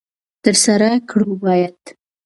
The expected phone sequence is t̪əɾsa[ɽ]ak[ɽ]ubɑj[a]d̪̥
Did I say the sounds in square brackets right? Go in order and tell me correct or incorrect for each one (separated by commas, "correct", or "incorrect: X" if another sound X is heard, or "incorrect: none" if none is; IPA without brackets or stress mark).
incorrect: ɾ, correct, correct